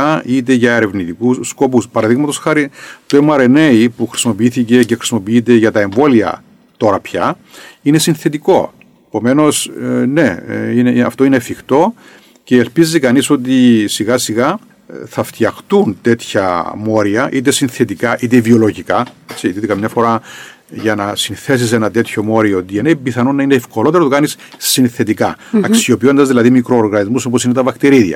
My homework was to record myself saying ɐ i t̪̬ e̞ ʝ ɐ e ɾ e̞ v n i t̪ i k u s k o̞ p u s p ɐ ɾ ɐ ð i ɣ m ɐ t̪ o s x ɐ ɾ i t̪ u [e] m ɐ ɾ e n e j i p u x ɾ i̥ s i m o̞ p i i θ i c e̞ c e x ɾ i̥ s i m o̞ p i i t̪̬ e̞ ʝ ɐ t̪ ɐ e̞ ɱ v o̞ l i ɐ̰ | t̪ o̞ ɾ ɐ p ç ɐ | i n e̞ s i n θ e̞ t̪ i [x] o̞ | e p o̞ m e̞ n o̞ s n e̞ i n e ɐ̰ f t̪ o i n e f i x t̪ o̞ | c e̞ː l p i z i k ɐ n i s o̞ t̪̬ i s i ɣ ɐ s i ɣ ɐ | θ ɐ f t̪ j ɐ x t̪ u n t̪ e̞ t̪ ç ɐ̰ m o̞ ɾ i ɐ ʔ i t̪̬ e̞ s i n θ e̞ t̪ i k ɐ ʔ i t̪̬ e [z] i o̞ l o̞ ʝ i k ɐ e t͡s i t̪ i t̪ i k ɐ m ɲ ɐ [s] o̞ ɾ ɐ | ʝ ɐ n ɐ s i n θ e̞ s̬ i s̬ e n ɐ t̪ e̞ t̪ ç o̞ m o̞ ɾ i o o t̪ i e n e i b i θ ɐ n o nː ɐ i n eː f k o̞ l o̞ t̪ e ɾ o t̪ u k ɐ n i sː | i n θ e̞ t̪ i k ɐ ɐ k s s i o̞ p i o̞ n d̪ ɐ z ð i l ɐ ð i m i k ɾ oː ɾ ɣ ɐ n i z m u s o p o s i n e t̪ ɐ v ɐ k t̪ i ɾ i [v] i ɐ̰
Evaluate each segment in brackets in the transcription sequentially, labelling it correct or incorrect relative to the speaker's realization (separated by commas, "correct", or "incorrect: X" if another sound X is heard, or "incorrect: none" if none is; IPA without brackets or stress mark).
correct, incorrect: k, incorrect: v, incorrect: f, incorrect: ð